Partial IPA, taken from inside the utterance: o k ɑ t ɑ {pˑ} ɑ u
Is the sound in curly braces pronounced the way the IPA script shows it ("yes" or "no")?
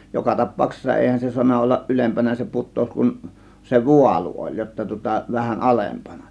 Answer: yes